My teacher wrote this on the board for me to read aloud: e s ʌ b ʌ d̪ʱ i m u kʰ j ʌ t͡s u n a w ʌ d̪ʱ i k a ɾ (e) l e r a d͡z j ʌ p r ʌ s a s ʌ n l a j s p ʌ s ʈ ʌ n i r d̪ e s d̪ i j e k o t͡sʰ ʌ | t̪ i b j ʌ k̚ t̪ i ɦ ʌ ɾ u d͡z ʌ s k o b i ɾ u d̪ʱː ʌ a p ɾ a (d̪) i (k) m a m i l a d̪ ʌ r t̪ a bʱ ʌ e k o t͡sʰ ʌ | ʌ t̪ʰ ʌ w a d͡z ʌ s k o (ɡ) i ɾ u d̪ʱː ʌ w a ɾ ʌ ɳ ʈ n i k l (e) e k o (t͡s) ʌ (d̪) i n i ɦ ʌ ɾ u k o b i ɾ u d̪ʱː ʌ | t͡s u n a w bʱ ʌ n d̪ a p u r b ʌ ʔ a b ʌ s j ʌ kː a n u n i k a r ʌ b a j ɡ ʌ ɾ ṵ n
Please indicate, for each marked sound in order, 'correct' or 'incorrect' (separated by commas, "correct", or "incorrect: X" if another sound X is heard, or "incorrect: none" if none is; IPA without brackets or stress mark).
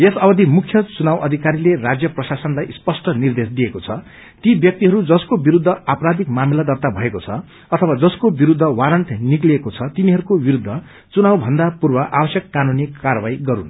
incorrect: i, correct, correct, incorrect: b, incorrect: i, incorrect: t͡sʰ, incorrect: t̪